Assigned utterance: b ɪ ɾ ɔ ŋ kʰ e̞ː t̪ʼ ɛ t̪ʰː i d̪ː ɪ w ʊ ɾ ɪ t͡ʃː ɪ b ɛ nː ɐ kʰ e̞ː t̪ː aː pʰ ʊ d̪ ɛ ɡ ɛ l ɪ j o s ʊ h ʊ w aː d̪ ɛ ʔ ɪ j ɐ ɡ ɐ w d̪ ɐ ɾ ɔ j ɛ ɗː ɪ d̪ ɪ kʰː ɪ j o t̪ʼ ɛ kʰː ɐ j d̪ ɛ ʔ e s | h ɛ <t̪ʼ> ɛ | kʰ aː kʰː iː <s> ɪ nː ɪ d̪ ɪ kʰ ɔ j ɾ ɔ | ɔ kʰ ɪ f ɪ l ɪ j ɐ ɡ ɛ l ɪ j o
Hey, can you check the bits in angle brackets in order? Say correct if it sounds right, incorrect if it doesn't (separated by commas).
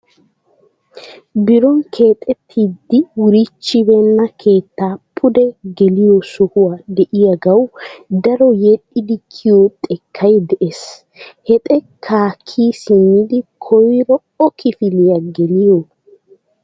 correct, correct